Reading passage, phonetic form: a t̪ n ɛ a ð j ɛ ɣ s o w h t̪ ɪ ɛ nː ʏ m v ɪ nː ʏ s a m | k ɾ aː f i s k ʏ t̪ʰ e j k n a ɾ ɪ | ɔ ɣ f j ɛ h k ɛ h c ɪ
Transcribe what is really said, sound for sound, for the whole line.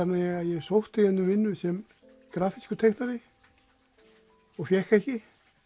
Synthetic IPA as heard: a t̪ n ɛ a ð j ɛ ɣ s o w h t̪ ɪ ɛ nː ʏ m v ɪ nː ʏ s ɛ m | k ɾ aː f i s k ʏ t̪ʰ e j k n a ɾ ɪ | ɔ ɣ f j ɛ h k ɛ h c ɪ